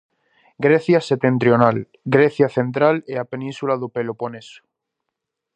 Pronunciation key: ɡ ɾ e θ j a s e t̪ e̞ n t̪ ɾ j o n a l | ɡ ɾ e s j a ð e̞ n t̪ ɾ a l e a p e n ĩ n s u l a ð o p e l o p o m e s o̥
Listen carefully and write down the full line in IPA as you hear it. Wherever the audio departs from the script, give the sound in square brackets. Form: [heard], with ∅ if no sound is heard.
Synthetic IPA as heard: ɡ ɾ e θ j a s e t̪ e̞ n t̪ ɾ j o n a l | ɡ ɾ e [θ] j a [θ] e̞ n t̪ ɾ a l e a p e n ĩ n s u l a ð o p e l o p o [n] e s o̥